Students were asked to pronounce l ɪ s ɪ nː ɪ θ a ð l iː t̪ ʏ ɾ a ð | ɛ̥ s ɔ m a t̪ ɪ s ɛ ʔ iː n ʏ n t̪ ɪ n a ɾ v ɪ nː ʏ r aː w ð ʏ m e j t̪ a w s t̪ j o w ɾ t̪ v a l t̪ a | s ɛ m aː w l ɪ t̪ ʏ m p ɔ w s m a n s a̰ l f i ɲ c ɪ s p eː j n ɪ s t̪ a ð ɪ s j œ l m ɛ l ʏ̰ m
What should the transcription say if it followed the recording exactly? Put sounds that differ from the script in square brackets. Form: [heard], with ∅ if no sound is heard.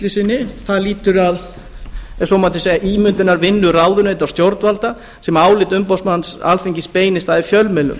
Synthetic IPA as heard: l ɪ s ɪ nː ɪ θ a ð l iː t̪ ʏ ɾ a ð | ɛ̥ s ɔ m a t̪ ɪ s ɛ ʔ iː [m] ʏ n t̪ ɪ n a ɾ v ɪ nː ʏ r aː w ð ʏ [n] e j t̪ a w s t̪ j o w ɾ t̪ v a l t̪ a | s ɛ m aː w l ɪ t̪ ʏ m p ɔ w s m a n s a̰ l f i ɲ c ɪ s p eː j n ɪ s t̪ a ð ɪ [f] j œ l m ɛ l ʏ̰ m

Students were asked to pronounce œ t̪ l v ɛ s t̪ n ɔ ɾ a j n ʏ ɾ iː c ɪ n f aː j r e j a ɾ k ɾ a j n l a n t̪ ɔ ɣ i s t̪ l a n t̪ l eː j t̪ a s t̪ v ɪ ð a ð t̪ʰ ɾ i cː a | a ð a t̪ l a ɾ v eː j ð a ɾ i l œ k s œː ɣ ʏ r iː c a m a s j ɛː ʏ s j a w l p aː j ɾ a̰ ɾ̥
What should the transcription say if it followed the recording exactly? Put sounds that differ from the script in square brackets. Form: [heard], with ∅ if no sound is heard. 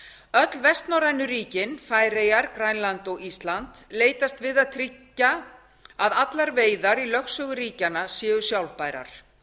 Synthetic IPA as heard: œ t̪ l v ɛ s t̪ n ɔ ɾ a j n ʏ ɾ iː c ɪ n f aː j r e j a ɾ k ɾ a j n l a n t̪ ɔ ɣ i s t̪ l a n t̪ l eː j t̪ a s t̪ v ɪ ð a ð t̪ʰ ɾ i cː a | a ð a t̪ l a ɾ v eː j ð a ɾ i l œ [x] s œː ɣ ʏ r iː c a [n] a s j ɛː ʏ s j a w l p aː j ɾ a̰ ɾ̥

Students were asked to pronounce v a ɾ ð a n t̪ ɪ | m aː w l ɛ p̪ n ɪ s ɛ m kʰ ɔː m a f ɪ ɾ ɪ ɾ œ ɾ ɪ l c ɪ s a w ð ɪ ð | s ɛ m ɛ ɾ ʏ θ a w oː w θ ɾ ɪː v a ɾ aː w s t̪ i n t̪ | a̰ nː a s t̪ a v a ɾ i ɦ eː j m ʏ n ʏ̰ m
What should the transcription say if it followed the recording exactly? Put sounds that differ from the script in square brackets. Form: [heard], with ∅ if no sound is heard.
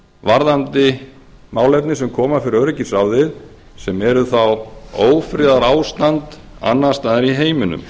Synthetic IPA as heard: v a ɾ ð a n t̪ ɪ | m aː w l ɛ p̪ n ɪ s ɛ m kʰ ɔː m a f ɪ ɾ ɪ ɾ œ ɾ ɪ [∅] c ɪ s a w ð ɪ ð | s ɛ m ɛ ɾ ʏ θ a w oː w [f] ɾ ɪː [ð] a ɾ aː w s t̪ [a] n t̪ | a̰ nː a s t̪ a [ð] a ɾ i ɦ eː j m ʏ n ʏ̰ m

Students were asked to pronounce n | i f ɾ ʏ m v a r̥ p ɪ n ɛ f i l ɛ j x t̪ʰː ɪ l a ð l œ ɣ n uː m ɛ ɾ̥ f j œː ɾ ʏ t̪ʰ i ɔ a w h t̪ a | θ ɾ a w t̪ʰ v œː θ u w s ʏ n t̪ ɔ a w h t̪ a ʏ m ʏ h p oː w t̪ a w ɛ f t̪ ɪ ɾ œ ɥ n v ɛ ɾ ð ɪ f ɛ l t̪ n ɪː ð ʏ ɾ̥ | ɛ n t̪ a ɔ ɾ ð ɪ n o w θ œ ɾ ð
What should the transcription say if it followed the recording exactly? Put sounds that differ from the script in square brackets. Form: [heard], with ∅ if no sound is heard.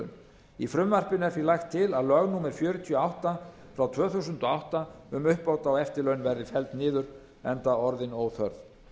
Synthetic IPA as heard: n | i f ɾ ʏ m v a r̥ p ɪ n ɛ f i l [a] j x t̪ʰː ɪ l a ð l œ ɣ n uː m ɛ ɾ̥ f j œː ɾ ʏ t̪ʰ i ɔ a w h t̪ a | [f] ɾ a w t̪ʰ v œː θ u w s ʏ n t̪ ɔ a w h t̪ a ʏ m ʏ h p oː w t̪ a w ɛ f t̪ ɪ [l] œ ɥ n v ɛ ɾ ð ɪ f ɛ l t̪ n ɪː ð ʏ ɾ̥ | ɛ n t̪ a ɔ ɾ ð ɪ n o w θ œ ɾ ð

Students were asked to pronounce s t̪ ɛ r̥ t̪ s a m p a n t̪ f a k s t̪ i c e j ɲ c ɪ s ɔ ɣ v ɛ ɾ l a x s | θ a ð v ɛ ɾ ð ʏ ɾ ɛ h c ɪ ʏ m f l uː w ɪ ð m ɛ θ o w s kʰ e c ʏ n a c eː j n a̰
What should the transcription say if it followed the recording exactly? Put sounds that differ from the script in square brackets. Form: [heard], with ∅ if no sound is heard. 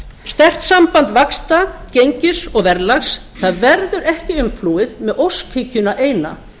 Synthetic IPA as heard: s t̪ ɛ r̥ t̪ s a m p a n t̪ [v] a k s t̪ [a] c e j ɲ c ɪ s ɔ ɣ v ɛ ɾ l a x s | θ a ð v ɛ ɾ ð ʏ ɾ ɛ h c ɪ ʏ m f l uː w ɪ ð m ɛ [ð] o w s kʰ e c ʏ n a [ʔ] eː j n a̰

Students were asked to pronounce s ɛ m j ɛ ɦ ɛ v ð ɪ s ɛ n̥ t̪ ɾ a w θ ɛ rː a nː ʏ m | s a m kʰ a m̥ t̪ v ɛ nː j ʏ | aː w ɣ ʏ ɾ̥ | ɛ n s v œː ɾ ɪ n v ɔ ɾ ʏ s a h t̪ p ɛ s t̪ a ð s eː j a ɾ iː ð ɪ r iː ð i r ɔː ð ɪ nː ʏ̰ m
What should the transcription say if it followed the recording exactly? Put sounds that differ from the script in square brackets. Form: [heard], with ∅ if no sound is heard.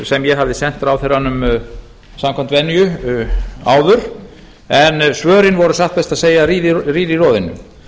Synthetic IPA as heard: s ɛ m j ɛ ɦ [a] v ð ɪ s ɛ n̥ t̪ ɾ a w θ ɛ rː a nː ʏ m | s a m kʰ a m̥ t̪ v ɛ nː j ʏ | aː w [ð] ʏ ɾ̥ | ɛ n s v œː ɾ ɪ n v ɔ ɾ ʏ s a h t̪ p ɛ s t̪ a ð s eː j a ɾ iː ð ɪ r iː ð i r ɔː ð ɪ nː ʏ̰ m

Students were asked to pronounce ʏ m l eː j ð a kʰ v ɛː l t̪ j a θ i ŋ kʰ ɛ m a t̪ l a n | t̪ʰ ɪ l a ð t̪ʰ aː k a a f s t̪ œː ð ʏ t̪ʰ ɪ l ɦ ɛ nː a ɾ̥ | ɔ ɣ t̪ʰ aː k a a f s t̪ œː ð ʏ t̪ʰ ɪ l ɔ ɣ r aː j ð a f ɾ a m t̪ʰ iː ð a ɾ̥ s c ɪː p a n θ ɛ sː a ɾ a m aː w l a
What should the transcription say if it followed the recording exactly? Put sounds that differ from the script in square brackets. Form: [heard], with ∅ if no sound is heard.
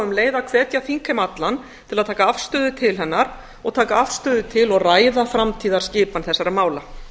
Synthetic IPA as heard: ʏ m l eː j ð a kʰ v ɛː [∅] t̪ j a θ i ŋ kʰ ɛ m a t̪ l a n | t̪ʰ ɪ l a ð t̪ʰ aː k a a f s t̪ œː ð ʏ t̪ʰ ɪ l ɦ ɛ nː a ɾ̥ | ɔ ɣ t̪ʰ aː k a a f s t̪ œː ð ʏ t̪ʰ ɪ l ɔ ɣ r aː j ð a f ɾ a m t̪ʰ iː ð a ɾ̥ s c ɪː p a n θ ɛ sː a ɾ a m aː w l a

